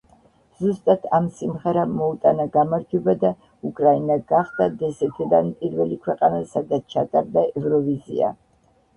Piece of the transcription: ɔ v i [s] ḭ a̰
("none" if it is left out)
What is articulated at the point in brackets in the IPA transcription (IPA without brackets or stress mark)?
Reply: z